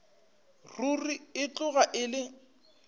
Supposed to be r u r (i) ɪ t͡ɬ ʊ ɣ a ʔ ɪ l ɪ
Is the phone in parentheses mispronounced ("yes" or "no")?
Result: no